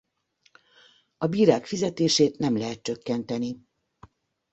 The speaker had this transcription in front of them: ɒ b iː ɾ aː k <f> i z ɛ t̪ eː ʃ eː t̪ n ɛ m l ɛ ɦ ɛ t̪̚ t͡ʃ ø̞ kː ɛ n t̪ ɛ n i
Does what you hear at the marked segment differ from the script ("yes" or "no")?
no